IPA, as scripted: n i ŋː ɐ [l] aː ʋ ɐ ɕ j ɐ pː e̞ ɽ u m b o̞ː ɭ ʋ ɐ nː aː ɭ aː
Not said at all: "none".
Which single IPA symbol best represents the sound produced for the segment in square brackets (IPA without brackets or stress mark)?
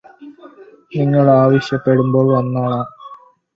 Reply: ɭ